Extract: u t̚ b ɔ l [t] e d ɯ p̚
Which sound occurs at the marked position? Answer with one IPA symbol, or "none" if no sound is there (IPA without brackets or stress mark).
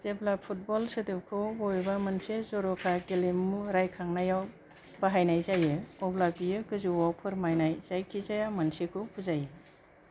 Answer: s